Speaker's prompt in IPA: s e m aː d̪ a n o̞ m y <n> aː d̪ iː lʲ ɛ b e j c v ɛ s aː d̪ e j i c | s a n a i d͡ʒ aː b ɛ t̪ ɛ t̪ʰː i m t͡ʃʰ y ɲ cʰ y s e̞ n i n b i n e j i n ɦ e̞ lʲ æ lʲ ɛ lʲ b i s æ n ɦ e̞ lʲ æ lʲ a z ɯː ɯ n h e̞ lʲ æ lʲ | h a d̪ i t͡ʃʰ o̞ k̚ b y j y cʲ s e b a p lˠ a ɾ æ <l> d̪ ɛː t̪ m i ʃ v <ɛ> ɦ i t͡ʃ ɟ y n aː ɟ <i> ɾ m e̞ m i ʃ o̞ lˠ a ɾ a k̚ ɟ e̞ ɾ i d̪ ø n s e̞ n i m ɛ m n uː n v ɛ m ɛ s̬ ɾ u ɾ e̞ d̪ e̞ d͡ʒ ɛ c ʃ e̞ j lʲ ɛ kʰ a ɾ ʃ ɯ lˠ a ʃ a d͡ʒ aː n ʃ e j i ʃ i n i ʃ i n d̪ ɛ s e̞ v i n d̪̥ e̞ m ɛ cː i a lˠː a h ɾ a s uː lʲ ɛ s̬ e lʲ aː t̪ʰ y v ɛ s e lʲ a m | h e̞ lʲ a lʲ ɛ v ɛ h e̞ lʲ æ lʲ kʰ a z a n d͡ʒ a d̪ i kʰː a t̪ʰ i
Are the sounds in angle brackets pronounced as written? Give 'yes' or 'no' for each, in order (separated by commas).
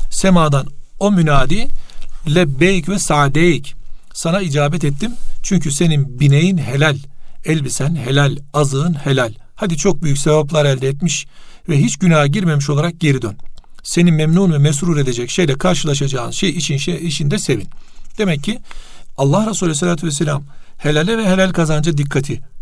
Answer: yes, yes, yes, yes